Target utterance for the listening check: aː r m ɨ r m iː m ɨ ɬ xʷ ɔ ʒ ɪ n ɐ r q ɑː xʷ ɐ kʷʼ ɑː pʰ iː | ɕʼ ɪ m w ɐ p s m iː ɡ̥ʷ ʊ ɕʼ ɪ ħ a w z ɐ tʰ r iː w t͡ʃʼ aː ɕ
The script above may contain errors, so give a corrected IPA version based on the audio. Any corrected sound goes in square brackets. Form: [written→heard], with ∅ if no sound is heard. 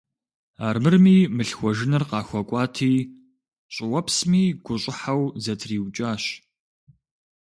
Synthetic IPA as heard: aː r m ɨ r m iː m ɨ ɬ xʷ ɔ ʒ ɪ n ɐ r q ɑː xʷ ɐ kʷʼ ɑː [pʰ→tʰ] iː | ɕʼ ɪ [m→∅] w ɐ p s m iː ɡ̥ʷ ʊ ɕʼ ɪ ħ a w z ɐ tʰ r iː w t͡ʃʼ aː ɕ